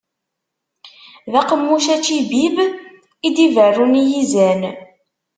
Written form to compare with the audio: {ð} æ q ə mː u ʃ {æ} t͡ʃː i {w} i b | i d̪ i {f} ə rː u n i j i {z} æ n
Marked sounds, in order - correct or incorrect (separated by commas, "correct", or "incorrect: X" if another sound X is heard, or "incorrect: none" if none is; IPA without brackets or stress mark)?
correct, correct, incorrect: b, incorrect: v, correct